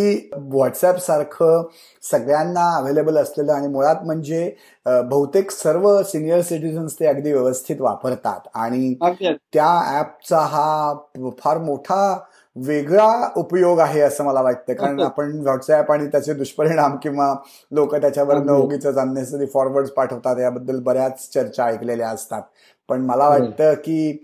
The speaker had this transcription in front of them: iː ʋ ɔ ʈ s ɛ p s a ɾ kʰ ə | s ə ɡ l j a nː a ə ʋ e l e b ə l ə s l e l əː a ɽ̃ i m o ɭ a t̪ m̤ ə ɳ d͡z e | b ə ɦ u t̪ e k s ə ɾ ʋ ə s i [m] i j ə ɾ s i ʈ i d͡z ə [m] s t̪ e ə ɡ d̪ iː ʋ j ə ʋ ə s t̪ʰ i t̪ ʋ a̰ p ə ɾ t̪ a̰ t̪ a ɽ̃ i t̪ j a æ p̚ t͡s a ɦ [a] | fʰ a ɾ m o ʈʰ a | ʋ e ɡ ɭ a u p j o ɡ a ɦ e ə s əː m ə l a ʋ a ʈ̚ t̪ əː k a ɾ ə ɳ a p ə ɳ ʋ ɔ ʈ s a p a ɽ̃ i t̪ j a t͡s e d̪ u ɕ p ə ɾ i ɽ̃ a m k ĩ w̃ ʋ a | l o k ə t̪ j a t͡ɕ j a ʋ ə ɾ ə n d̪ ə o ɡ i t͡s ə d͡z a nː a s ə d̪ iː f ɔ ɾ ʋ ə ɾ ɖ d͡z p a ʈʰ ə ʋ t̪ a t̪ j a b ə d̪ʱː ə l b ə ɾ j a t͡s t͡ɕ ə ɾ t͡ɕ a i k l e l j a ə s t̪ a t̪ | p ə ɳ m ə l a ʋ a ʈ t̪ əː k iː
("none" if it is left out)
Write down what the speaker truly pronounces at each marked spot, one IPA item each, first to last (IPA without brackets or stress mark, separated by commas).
n, n, a